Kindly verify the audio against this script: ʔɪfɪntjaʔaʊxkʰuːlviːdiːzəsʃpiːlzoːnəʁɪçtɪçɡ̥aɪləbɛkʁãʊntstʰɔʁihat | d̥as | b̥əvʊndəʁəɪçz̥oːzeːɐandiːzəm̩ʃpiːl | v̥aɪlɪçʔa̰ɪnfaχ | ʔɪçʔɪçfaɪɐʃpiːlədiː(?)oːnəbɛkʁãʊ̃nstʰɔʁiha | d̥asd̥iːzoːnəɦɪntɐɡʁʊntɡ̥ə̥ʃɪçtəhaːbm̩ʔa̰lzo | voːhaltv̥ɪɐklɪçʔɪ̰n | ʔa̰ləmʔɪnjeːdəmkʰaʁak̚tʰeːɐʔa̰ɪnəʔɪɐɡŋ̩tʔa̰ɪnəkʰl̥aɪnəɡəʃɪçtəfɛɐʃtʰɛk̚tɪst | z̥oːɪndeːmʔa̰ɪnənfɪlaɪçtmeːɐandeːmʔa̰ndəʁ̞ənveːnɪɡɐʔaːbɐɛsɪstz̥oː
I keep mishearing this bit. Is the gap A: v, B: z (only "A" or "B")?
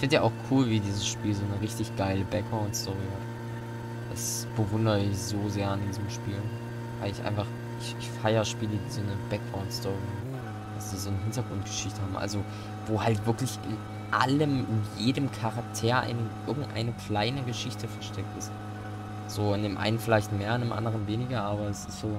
B